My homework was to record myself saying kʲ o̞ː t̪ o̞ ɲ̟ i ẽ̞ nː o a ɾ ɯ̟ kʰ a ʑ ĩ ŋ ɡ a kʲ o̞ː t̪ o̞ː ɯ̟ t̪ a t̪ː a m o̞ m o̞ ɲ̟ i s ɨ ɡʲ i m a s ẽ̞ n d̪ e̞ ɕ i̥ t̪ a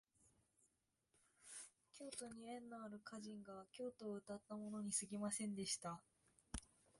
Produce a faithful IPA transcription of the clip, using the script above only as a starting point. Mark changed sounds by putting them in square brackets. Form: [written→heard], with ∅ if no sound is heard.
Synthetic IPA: kʲ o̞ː t̪ o̞ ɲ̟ i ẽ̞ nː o a ɾ ɯ̟ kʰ a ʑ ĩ ŋ ɡ a kʲ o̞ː t̪ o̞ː ɯ̟ t̪ a t̪ː a m o̞ [m→n] o̞ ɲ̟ i s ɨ ɡʲ i m a s ẽ̞ n d̪ e̞ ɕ i̥ t̪ a